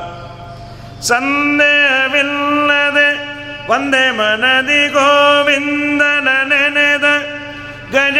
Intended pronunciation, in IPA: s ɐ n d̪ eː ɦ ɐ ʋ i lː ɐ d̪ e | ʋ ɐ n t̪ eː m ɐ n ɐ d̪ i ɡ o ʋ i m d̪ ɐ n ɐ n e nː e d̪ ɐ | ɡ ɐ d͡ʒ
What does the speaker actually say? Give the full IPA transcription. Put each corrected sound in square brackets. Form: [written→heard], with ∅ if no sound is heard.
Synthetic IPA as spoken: s ɐ n d̪ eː ɦ ɐ ʋ i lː ɐ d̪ e | ʋ ɐ n [t̪→d̪] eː m ɐ n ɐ d̪ i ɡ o ʋ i [m→n] d̪ ɐ n ɐ n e [nː→n] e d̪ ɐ | ɡ ɐ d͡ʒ